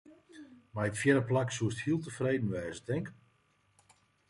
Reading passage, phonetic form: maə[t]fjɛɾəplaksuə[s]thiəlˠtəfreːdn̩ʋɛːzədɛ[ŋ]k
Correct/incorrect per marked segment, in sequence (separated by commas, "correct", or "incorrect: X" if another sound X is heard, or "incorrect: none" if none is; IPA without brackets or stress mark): correct, correct, correct